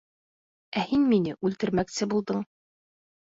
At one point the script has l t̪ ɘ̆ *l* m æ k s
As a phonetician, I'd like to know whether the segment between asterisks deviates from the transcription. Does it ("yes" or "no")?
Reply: yes